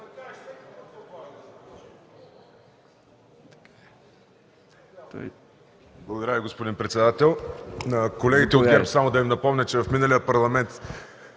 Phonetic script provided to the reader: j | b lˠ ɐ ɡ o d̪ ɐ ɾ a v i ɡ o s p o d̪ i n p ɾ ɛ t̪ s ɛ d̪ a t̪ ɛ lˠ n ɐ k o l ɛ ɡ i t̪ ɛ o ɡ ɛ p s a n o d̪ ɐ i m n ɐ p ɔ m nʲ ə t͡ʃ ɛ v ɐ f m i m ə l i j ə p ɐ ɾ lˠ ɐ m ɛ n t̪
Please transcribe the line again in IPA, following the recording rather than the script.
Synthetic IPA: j | b lˠ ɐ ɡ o d̪ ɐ ɾ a v i ɡ o s p o d̪ i n p ɾ ɛ t̪ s ɛ d̪ a t̪ ɛ lˠ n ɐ k o l ɛ ɡ i t̪ ɛ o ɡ ɛ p s a m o d̪ ɐ i m n ɐ p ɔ m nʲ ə t͡ʃ ɛ v ɐ f m i n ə l i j ə p ɐ ɾ lˠ ɐ m ɛ n t̪